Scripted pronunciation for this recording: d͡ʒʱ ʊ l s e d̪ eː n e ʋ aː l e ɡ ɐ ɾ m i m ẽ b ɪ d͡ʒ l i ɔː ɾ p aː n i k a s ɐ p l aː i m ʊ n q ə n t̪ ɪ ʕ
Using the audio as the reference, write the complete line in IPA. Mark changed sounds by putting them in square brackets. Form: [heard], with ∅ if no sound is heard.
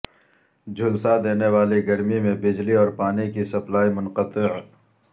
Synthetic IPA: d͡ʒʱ ʊ l s [a] d̪ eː n e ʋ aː l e ɡ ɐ ɾ m i m ẽ b ɪ d͡ʒ l i ɔː ɾ p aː n i k [i] s ɐ p l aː i m ʊ n q ə [∅] t̪ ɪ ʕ